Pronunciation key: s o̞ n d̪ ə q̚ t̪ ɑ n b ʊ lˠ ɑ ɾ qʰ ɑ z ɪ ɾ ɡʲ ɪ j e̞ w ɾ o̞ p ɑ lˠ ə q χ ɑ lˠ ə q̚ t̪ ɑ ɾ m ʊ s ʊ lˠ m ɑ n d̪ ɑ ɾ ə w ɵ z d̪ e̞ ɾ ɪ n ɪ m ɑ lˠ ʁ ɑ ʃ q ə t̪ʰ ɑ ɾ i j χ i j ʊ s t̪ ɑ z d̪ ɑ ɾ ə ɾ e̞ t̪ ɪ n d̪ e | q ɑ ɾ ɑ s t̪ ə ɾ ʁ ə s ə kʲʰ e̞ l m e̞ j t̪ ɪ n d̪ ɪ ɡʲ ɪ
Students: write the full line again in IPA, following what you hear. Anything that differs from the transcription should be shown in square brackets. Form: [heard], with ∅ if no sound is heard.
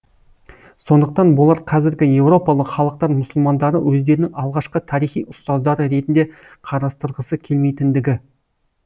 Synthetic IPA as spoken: s o̞ n d̪ ə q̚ t̪ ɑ n b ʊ lˠ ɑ ɾ qʰ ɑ z ɪ ɾ ɡʲ ɪ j e̞ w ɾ o̞ p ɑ lˠ ə q χ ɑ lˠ ə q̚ t̪ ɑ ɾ m ʊ s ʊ lˠ m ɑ n d̪ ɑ ɾ ə w ɵ z d̪ e̞ ɾ ɪ n ɪ [ŋ] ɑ lˠ ʁ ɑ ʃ q ə t̪ʰ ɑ ɾ i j χ i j ʊ s t̪ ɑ z d̪ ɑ ɾ ə ɾ e̞ t̪ ɪ n d̪ e | [qʰ] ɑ ɾ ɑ s t̪ ə ɾ ʁ ə s ə kʲʰ e̞ l m e̞ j t̪ ɪ n d̪ ɪ ɡʲ ɪ